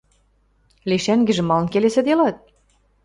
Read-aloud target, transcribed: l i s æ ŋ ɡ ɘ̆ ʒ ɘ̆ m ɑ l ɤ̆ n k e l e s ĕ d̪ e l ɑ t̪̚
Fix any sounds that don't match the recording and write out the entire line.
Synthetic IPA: l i ʃ æ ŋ ɡ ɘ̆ ʒ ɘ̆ m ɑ l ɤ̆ n k e l e s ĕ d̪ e l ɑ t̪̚